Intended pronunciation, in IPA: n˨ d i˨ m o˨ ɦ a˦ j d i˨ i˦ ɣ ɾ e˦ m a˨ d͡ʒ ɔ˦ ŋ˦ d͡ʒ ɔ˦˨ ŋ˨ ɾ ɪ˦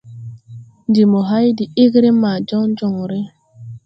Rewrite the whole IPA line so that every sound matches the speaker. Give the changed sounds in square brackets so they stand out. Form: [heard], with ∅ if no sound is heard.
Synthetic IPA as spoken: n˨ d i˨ m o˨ ɦ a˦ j d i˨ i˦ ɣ ɾ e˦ m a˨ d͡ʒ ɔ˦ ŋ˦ d͡ʒ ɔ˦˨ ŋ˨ ɾ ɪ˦